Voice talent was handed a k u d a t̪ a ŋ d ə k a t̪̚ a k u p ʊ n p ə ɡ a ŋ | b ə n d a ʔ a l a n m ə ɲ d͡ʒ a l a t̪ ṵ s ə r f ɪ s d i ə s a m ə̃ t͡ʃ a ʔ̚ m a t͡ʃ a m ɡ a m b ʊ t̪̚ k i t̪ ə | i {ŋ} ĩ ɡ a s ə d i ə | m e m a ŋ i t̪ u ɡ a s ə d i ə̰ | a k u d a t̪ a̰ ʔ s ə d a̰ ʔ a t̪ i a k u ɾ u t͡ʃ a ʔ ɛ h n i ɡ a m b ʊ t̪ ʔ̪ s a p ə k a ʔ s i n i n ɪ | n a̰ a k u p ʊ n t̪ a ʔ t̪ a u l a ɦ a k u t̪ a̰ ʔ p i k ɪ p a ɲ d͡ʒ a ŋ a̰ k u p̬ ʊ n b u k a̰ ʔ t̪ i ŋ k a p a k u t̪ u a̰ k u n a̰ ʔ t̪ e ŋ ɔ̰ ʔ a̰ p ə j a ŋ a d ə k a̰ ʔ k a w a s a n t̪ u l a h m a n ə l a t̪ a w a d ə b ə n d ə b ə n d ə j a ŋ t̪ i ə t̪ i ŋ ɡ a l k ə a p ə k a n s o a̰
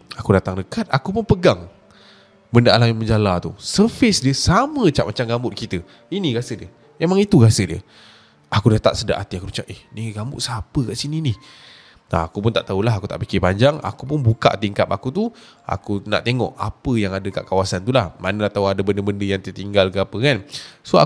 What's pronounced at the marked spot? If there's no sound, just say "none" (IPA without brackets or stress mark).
n